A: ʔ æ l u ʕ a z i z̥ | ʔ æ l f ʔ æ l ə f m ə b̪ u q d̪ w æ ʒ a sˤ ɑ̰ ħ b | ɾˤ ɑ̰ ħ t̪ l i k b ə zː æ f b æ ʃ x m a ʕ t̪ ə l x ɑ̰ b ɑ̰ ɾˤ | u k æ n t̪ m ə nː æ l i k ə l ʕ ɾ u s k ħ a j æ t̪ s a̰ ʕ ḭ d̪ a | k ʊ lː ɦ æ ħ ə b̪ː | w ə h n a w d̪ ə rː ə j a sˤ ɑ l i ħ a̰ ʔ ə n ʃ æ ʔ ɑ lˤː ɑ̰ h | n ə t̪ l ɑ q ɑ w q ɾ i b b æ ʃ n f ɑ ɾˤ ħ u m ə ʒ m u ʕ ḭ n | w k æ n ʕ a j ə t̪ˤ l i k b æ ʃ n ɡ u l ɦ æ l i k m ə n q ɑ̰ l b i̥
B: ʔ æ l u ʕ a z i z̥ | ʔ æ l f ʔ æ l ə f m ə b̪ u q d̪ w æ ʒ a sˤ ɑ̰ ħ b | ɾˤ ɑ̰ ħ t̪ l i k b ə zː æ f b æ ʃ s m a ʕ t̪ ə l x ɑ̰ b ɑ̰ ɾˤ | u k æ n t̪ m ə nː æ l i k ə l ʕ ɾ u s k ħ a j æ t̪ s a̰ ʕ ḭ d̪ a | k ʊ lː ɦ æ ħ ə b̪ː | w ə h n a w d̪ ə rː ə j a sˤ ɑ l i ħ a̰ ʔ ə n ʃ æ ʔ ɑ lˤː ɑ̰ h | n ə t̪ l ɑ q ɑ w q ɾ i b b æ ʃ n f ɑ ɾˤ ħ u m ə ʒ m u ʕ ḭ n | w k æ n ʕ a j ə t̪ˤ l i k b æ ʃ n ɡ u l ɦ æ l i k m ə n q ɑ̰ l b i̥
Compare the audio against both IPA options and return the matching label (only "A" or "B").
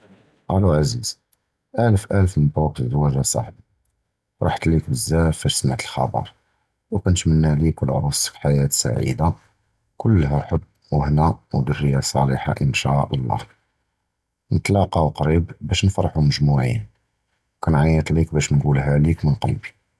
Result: B